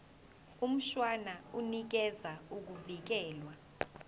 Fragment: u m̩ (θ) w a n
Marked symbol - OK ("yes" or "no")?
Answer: no